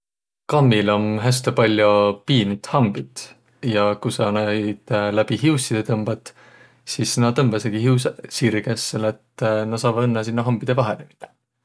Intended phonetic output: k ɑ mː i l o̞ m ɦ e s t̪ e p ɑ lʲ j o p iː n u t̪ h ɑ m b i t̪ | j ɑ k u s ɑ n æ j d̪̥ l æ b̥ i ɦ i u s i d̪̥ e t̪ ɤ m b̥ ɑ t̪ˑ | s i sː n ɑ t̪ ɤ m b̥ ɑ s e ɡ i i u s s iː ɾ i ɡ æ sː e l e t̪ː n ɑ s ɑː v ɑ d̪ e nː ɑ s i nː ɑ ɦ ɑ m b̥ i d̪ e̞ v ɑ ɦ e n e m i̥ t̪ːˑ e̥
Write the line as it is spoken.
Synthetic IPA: k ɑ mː i l o̞ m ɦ æ s t̪ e p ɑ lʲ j o p iː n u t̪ h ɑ m b i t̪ | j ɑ k u s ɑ n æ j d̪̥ l æ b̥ i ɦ i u s i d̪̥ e t̪ ɤ m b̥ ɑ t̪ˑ | s i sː n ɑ t̪ ɤ m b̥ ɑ s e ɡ i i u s s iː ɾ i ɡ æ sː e l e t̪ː n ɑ s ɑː v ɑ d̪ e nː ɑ s i nː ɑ ɦ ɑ m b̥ i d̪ e̞ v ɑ ɦ e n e m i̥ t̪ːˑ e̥